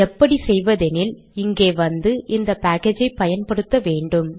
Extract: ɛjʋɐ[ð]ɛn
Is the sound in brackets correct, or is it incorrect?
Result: correct